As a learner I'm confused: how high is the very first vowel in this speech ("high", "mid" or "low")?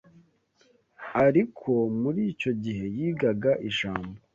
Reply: low